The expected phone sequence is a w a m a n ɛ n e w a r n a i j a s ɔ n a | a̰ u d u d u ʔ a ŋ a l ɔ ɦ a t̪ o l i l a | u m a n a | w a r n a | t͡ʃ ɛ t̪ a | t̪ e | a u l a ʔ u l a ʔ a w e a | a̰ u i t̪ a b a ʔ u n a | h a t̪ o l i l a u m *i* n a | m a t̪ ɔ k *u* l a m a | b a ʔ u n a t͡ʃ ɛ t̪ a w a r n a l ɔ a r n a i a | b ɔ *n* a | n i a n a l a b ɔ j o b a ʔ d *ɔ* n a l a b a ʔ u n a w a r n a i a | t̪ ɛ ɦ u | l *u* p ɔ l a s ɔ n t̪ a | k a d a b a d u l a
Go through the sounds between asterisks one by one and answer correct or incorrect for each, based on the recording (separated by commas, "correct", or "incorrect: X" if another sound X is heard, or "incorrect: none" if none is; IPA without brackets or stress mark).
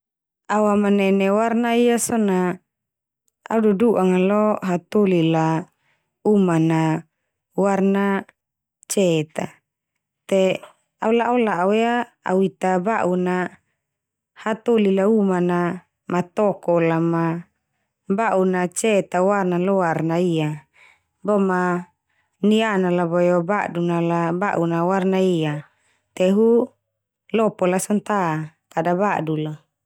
incorrect: a, incorrect: ɔ, incorrect: m, incorrect: u, incorrect: ɔ